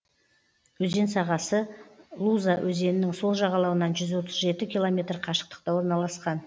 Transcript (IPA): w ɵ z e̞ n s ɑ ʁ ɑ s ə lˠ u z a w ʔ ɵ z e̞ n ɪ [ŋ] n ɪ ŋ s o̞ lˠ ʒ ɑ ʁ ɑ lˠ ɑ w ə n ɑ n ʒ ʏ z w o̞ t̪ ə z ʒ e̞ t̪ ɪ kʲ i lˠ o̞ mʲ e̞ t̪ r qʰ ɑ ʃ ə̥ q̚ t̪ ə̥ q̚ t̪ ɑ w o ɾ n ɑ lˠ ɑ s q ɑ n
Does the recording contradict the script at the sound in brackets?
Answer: yes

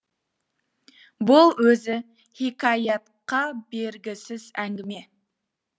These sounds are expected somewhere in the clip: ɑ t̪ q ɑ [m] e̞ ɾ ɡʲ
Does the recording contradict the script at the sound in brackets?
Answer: yes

